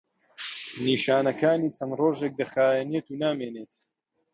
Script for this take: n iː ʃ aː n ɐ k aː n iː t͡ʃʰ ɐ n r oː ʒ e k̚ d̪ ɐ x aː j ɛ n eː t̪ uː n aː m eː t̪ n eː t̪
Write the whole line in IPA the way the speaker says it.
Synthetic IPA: n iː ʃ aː n ɐ k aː n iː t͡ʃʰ ɐ n r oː ʒ e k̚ d̪ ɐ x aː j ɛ n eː t̪ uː n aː m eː n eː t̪